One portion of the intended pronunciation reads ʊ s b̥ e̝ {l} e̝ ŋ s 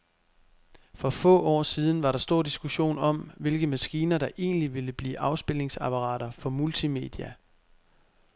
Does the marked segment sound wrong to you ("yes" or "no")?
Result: no